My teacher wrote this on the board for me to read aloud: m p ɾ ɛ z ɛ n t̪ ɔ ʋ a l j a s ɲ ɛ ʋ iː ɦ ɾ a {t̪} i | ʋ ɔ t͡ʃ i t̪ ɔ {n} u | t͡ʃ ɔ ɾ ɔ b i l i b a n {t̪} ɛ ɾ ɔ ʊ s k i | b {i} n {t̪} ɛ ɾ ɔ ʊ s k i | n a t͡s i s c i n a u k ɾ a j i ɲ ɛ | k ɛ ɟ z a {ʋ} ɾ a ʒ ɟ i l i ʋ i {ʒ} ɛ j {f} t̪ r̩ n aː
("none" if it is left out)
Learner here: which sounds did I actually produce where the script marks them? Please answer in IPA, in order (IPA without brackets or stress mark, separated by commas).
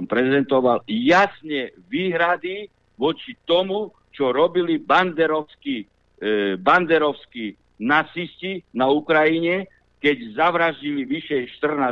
d̪, m, d̪, a, d̪, ʋ, ʃ, ʃ